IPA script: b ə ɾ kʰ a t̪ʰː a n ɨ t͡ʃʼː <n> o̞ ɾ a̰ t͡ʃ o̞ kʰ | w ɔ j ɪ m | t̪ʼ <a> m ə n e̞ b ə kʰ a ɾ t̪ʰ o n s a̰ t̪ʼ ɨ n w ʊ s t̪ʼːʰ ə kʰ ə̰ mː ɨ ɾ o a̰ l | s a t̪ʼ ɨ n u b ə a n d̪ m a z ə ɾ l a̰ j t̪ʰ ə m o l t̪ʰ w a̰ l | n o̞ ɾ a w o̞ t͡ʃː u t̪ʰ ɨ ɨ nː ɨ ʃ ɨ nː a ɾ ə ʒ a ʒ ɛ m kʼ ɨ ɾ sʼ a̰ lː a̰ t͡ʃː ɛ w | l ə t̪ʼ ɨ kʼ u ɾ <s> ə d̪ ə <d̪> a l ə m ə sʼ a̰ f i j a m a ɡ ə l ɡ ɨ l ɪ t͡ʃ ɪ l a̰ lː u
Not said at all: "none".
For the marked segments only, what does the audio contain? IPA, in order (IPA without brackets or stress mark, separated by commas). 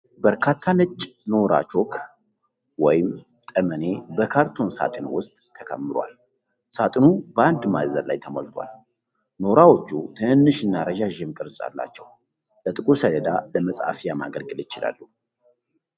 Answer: n, ə, s, d̪